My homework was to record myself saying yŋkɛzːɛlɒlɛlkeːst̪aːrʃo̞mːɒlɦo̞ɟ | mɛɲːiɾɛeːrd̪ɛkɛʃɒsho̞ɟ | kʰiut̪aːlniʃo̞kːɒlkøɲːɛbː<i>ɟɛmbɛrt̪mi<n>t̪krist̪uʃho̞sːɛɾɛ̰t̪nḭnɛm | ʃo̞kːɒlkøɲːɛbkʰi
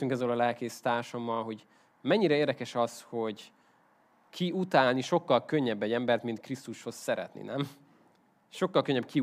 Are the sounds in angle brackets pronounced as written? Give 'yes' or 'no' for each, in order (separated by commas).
no, yes